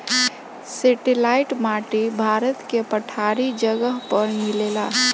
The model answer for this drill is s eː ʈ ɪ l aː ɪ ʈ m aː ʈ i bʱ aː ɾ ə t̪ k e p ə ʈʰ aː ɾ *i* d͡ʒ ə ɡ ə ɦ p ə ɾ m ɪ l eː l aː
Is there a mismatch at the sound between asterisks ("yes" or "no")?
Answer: no